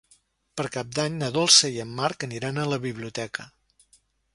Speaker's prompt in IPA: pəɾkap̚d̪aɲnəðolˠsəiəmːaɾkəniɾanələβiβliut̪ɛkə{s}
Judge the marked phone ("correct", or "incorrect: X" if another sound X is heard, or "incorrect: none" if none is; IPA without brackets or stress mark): incorrect: none